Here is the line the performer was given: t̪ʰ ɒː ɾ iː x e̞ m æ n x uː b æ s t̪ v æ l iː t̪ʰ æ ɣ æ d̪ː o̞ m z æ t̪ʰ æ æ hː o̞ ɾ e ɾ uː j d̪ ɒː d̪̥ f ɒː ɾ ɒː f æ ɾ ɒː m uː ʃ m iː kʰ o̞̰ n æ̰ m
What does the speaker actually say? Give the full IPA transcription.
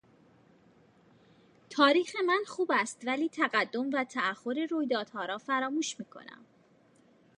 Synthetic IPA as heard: t̪ʰ ɒː ɾ iː x e̞ m æ n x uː b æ s t̪ v æ l iː t̪ʰ æ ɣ æ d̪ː o̞ m v æ t̪ʰ æ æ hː o̞ ɾ e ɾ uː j d̪ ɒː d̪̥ h ɒː ɾ ɒː f æ ɾ ɒː m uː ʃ m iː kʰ o̞̰ n æ̰ m